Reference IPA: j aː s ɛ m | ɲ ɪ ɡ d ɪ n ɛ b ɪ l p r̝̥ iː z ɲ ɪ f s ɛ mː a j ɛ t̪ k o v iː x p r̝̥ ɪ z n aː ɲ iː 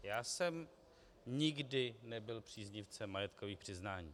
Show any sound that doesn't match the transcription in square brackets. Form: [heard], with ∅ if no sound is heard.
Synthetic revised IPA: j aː s ɛ m | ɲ ɪ ɡ d ɪ n ɛ b ɪ l p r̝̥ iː z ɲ ɪ f [t͡s] ɛ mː a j ɛ t̪ k o v iː x p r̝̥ ɪ z n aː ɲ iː

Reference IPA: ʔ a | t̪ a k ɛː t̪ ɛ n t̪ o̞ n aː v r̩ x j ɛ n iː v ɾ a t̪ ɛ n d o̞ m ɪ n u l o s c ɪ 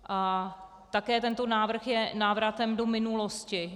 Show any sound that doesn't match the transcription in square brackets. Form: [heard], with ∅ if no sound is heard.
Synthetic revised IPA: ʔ a | t̪ a k ɛː t̪ ɛ n t̪ o̞ n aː v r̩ x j ɛ n [aː] v ɾ a t̪ ɛ [m] d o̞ m ɪ n u l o s c ɪ

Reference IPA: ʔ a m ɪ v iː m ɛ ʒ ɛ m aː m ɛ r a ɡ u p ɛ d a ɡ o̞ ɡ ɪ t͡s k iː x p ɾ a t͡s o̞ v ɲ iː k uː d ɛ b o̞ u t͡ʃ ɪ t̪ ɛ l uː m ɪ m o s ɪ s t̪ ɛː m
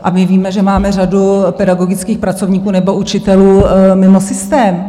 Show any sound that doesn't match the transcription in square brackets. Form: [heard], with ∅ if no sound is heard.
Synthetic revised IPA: ʔ a m ɪ v iː m ɛ ʒ ɛ m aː m ɛ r a [d] u p ɛ d a ɡ o̞ ɡ ɪ t͡s k iː x p ɾ a t͡s o̞ v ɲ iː k uː [n] ɛ b o̞ u t͡ʃ ɪ t̪ ɛ l uː m ɪ m o s ɪ s t̪ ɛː m

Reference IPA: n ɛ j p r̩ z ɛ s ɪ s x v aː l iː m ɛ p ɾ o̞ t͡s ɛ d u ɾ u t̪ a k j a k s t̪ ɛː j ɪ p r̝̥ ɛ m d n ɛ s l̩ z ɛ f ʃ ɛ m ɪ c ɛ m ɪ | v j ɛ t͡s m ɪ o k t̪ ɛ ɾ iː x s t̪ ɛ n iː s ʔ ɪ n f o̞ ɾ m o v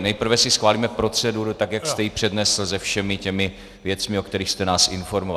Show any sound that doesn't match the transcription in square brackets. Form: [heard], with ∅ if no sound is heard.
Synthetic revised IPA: n ɛ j p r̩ [v] ɛ s ɪ s x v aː l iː m ɛ p ɾ o̞ t͡s ɛ d u ɾ u t̪ a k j a k s t̪ [ɛ] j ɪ p r̝̥ ɛ [∅] d n ɛ s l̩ z ɛ f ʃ ɛ m ɪ c ɛ m ɪ | v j ɛ t͡s m ɪ o k t̪ ɛ ɾ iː x s t̪ ɛ n [aː] s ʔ ɪ n f o̞ ɾ m o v

